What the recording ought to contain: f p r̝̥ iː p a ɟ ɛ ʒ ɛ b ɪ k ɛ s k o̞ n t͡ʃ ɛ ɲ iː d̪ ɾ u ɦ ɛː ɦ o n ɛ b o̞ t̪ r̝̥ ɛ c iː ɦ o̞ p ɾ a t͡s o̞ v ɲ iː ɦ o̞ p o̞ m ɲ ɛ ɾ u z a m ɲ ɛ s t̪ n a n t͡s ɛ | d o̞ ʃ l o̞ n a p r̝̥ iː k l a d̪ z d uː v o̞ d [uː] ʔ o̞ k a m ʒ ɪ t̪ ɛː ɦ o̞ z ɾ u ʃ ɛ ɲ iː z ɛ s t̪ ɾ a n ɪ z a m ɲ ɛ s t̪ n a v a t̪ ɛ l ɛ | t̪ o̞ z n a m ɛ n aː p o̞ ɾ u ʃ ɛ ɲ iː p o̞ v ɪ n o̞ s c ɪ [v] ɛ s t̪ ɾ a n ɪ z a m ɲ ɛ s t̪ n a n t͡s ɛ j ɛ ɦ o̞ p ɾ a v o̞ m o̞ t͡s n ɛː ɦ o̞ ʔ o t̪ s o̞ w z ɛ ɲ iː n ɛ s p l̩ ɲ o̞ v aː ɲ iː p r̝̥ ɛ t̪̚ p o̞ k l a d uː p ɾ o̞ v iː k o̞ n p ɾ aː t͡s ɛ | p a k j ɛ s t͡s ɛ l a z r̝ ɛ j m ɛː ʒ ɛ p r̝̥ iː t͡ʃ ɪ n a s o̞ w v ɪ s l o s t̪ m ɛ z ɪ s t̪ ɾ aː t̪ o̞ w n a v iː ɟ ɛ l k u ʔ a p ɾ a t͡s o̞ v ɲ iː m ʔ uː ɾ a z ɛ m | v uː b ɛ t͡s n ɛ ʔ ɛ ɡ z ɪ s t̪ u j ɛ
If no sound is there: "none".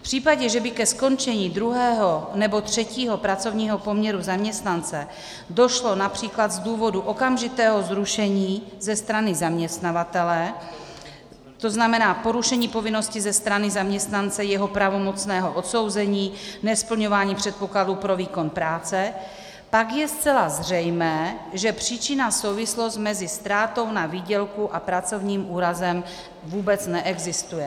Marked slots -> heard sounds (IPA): u, z

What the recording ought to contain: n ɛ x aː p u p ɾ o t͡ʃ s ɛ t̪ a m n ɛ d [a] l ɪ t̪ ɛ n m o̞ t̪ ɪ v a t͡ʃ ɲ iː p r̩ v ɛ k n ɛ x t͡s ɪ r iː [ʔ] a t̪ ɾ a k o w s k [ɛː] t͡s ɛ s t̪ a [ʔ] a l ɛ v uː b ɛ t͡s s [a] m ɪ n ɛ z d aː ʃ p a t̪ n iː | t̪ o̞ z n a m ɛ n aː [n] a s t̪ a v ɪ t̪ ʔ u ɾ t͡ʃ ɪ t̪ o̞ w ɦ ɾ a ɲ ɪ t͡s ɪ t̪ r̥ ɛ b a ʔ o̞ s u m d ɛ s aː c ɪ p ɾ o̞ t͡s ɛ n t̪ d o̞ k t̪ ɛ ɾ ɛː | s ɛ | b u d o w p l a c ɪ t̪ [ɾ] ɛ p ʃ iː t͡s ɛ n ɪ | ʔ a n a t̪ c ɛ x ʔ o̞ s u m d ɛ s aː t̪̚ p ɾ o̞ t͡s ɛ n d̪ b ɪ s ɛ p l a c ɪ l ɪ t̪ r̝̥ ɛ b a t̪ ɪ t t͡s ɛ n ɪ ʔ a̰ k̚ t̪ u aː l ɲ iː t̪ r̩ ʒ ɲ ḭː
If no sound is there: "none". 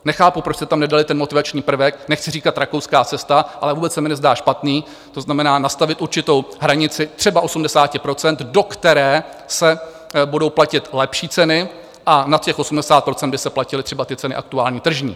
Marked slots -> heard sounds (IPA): a, k, aː, ʔ, ɛ, n, l

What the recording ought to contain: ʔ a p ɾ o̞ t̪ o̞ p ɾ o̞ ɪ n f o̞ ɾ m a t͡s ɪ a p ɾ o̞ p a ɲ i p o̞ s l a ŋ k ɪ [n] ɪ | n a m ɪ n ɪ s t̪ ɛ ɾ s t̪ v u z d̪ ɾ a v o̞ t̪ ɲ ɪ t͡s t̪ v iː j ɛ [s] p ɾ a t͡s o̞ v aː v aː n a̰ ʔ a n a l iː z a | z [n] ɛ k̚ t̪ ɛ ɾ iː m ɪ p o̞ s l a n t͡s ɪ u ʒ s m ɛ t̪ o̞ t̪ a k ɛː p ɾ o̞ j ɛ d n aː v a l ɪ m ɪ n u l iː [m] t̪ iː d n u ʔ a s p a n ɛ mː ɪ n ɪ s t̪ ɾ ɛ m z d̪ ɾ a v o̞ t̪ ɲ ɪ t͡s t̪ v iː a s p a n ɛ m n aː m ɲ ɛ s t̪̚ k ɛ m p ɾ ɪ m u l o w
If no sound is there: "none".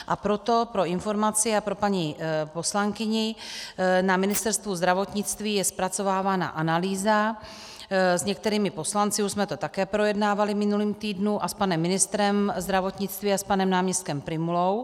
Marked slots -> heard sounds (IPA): ɲ, s, ɲ, m

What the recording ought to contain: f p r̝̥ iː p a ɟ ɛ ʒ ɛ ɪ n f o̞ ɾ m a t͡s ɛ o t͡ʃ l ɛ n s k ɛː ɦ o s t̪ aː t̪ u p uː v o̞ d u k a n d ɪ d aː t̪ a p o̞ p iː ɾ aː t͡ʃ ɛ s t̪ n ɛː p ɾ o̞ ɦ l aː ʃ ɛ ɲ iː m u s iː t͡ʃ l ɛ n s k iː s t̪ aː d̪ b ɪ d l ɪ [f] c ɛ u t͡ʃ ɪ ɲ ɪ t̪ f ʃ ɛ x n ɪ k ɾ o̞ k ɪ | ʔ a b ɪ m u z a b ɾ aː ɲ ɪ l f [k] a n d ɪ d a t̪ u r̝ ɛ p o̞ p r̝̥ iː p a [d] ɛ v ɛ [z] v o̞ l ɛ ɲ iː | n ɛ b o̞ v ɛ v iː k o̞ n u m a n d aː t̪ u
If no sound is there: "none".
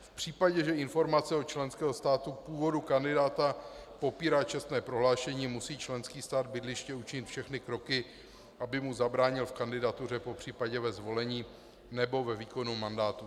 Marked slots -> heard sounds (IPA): ʃ, k, ɟ, z

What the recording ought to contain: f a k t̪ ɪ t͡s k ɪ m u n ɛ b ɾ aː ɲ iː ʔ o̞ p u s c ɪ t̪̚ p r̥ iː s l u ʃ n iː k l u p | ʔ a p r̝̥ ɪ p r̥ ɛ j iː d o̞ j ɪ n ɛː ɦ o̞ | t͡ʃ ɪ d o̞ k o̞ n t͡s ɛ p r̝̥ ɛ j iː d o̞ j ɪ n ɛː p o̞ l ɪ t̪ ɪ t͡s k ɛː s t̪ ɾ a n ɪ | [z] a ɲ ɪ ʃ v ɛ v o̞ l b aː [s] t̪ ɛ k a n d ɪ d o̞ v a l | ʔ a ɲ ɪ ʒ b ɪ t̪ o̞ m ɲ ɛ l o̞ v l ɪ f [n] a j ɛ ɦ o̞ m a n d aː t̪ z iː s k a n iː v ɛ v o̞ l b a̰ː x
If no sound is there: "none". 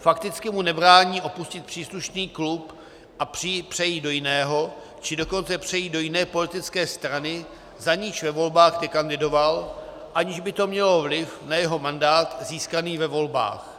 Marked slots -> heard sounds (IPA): z, x, n

